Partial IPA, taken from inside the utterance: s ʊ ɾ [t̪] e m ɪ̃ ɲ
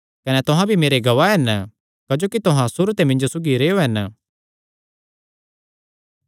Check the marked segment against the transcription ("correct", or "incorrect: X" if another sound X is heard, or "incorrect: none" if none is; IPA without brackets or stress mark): correct